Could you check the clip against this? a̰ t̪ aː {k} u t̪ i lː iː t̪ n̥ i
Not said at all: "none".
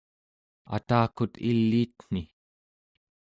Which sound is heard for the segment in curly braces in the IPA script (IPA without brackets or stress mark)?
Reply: k